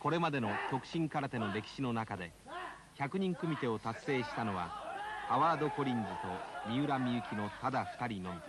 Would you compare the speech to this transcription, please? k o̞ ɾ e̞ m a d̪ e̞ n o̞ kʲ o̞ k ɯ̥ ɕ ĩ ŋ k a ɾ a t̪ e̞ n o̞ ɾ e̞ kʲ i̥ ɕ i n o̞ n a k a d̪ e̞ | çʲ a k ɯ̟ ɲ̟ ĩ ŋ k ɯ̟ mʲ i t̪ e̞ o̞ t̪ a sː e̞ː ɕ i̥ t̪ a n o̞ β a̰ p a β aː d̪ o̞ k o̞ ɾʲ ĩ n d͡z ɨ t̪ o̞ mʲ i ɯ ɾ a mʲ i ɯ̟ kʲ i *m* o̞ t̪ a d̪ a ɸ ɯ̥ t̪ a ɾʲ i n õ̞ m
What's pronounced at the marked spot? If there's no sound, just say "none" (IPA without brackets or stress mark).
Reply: n